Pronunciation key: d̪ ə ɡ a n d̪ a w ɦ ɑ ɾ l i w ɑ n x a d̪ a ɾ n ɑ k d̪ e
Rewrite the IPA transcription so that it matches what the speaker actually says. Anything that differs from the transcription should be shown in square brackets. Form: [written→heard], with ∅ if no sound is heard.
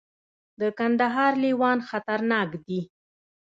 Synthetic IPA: d̪ ə [ɡ→k] a n d̪ a [w→∅] ɦ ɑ ɾ l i w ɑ n x a [d̪→t̪] a ɾ n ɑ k d̪ [e→i]